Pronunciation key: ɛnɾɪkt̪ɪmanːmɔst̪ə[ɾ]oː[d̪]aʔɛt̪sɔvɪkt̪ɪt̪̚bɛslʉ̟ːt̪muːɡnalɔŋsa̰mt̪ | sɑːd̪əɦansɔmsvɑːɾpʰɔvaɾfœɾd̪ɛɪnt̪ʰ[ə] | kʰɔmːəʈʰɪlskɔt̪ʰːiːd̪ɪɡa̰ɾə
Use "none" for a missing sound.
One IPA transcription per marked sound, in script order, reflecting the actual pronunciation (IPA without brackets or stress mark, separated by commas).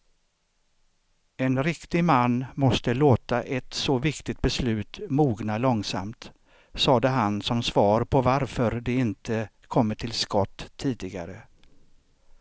l, t̪, ə